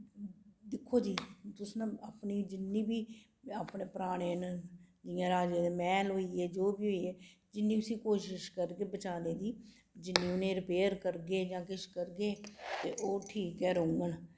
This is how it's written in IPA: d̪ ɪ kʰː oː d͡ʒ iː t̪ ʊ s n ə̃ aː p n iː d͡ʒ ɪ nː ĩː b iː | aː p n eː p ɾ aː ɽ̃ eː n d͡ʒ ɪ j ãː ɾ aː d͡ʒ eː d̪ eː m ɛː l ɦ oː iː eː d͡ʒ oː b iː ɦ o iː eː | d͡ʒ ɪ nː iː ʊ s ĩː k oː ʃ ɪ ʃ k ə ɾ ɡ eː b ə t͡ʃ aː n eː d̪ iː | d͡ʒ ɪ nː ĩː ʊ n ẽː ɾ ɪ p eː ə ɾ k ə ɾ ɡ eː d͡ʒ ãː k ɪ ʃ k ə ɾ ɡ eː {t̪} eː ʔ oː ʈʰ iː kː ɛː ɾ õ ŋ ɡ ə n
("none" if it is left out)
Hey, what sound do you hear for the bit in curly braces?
t̪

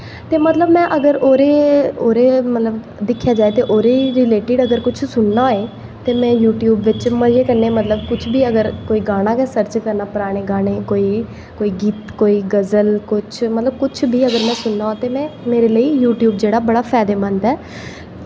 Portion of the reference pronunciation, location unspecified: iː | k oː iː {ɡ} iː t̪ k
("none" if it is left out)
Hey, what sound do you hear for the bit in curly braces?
ɡ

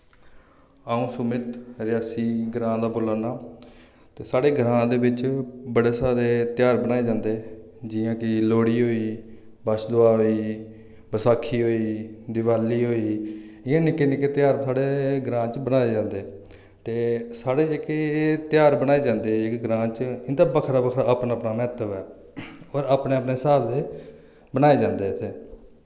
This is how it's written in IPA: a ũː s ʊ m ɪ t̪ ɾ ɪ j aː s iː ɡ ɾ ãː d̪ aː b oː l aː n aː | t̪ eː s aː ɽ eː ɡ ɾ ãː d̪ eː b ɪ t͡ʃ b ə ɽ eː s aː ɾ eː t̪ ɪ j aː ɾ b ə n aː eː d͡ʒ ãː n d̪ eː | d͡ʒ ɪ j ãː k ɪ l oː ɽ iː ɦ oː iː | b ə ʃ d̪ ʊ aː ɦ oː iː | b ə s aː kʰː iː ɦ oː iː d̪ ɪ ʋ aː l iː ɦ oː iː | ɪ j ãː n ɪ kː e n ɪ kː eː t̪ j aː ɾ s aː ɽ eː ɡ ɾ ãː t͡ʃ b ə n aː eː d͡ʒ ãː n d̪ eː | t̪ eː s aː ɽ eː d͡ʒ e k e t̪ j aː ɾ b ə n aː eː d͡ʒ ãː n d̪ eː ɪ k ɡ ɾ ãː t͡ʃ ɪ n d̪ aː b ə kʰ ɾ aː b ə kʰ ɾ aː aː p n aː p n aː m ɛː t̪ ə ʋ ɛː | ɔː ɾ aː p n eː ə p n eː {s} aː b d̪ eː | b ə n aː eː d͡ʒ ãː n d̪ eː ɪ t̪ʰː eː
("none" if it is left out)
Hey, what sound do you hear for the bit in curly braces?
s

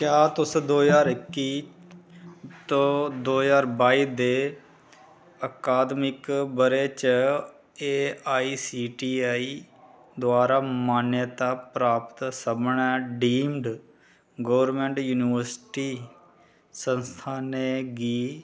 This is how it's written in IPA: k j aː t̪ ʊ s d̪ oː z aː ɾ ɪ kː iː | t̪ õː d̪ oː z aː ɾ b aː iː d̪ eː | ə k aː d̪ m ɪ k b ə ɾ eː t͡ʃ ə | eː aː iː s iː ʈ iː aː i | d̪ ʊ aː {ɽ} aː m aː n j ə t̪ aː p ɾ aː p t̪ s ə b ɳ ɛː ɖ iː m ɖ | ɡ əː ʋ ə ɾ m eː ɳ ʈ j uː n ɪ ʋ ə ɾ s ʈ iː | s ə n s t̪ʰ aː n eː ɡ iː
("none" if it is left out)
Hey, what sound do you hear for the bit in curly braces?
ɾ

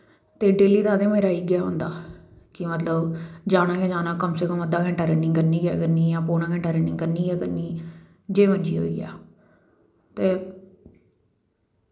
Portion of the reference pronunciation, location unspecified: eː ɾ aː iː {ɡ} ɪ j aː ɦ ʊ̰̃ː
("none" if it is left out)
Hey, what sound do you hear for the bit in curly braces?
ɡ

